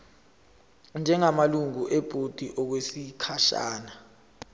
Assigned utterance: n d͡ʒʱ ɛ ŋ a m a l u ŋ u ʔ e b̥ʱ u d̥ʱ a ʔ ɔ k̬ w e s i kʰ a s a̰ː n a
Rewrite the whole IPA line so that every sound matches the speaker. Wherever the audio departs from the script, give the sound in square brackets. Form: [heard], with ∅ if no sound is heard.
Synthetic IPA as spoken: n d͡ʒʱ ɛ ŋ a m a l u ŋ u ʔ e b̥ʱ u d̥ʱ [i] ʔ ɔ k̬ w e s i kʰ a [ʃ] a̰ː n a